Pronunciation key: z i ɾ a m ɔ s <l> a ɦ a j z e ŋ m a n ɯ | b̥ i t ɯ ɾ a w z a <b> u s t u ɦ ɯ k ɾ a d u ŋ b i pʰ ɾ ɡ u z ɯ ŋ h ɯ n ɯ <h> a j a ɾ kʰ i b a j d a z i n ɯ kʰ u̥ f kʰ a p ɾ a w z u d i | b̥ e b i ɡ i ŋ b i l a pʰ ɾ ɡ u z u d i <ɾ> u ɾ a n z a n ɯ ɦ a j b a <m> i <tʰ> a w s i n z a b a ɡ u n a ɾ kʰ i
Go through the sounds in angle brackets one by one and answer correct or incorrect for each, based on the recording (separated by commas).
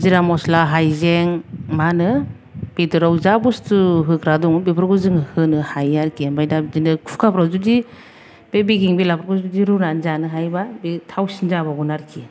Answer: correct, correct, correct, correct, incorrect, correct